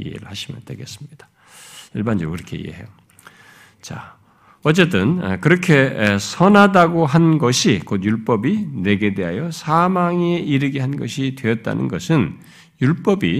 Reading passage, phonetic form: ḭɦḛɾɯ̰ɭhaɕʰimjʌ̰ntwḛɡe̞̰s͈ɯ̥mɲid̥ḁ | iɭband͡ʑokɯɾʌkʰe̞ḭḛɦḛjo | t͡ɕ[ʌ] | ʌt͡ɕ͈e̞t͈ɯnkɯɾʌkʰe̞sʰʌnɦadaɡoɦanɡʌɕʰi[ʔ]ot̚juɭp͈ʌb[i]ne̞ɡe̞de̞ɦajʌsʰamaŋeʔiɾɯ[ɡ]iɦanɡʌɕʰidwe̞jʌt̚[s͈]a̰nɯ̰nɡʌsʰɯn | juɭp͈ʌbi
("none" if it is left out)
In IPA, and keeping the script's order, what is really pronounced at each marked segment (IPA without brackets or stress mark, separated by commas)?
a, k, i, ɡ, t͈